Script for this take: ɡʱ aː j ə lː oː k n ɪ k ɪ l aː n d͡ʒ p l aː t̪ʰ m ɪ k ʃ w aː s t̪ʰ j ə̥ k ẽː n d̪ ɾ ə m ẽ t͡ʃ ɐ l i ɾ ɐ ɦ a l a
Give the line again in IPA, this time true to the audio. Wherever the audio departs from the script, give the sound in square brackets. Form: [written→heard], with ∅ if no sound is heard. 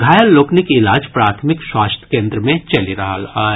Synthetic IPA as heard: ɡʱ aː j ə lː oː k n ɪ k ɪ l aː [n→∅] d͡ʒ p [l→ɾ] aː t̪ʰ m ɪ k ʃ w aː s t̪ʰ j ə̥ k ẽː n d̪ ɾ ə m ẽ t͡ʃ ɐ l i ɾ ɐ ɦ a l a